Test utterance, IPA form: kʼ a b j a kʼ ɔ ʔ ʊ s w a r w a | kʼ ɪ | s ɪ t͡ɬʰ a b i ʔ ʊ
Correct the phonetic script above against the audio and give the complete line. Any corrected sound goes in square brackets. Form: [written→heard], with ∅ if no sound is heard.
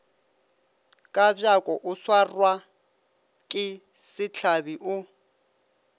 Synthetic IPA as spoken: kʼ a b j a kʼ ɔ ʔ ʊ s w a r w a | kʼ ɪ | s ɪ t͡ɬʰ a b i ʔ ʊ